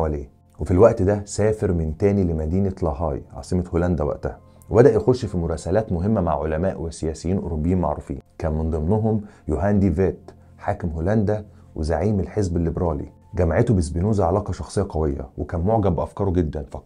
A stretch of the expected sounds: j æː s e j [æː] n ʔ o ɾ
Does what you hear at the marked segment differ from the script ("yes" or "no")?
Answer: yes